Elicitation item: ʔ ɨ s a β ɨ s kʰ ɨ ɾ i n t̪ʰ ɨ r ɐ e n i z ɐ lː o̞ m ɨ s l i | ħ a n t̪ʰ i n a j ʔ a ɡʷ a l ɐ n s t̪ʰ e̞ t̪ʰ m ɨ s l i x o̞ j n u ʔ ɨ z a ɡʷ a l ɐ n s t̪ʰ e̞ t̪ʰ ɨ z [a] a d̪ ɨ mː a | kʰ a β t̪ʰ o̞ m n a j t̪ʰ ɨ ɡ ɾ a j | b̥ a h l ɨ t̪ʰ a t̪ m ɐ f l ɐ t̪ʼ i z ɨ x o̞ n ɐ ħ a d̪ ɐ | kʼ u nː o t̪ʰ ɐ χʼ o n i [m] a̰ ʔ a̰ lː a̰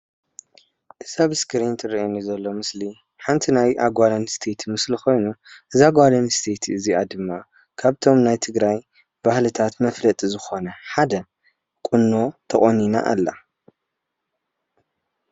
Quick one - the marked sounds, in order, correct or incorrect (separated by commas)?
incorrect, incorrect